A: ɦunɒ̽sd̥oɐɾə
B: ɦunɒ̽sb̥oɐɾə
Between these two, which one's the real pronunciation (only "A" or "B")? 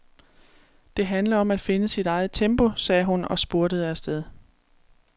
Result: B